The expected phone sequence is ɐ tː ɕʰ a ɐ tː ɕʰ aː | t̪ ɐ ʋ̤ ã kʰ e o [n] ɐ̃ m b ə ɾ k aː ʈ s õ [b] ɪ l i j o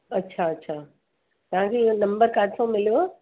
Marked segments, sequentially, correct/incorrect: correct, incorrect: m

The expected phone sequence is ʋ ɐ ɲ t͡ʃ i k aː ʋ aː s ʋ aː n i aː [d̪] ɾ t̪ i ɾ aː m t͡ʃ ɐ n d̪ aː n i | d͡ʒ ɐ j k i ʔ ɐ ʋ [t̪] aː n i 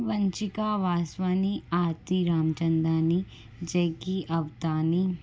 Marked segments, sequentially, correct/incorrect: incorrect: none, correct

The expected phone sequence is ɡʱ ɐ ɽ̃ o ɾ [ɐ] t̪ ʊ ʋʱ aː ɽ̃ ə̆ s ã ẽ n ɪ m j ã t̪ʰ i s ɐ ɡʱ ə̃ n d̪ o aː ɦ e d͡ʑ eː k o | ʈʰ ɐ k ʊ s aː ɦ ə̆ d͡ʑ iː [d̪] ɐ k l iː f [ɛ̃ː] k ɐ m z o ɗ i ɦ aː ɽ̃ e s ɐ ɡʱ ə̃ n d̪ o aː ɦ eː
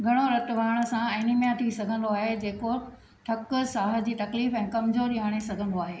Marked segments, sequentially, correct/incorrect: correct, incorrect: t̪, correct

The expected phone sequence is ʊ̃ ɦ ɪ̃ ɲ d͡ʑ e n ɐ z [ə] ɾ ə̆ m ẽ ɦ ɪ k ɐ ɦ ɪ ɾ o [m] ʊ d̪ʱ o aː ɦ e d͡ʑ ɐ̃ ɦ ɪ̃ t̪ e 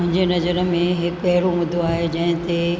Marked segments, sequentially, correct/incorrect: correct, correct

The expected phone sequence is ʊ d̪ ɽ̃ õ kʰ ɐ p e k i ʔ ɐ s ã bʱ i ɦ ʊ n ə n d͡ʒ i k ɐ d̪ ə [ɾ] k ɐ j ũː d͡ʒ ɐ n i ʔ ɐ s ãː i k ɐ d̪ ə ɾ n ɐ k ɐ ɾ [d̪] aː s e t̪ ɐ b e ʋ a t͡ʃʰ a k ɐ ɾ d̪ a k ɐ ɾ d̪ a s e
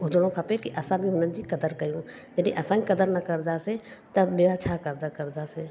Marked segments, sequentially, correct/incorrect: correct, correct

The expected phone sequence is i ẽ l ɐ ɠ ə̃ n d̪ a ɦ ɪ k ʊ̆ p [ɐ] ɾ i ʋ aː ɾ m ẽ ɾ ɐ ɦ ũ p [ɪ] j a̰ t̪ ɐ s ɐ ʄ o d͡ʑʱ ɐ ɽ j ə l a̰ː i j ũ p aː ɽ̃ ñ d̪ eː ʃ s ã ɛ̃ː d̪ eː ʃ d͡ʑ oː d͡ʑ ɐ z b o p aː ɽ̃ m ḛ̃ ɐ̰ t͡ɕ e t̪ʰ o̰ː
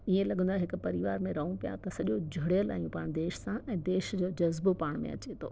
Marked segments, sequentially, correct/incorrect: correct, incorrect: i

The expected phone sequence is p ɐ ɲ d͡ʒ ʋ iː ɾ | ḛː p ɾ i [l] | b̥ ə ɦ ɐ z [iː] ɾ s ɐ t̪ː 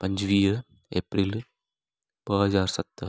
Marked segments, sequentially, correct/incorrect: correct, incorrect: aː

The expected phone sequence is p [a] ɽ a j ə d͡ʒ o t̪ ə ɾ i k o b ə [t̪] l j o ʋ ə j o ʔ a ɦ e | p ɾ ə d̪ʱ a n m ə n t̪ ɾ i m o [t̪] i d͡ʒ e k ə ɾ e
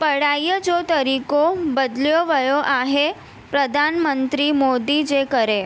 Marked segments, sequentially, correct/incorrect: incorrect: ə, incorrect: d̪, incorrect: d̪

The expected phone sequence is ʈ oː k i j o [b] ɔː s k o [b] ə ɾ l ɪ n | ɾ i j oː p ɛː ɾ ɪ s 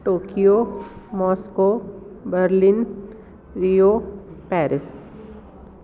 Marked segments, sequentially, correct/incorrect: incorrect: m, correct

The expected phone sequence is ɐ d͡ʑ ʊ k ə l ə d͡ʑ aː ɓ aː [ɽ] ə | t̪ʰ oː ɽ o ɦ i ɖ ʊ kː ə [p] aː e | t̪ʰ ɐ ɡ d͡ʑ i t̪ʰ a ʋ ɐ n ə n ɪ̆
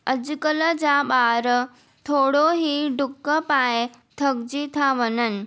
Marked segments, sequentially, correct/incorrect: incorrect: ɾ, correct

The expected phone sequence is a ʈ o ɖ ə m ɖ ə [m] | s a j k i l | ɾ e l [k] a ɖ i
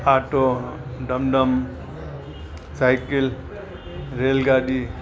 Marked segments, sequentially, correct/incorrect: correct, incorrect: ɡ

